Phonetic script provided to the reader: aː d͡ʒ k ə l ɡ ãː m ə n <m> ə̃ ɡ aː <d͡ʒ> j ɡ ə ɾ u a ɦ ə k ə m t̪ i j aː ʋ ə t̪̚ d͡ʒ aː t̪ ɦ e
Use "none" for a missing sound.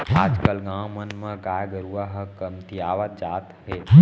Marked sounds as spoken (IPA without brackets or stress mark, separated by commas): m, none